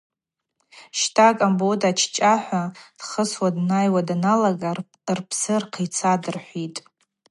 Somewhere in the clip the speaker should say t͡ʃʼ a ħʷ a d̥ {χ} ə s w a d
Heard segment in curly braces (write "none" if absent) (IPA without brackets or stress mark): χ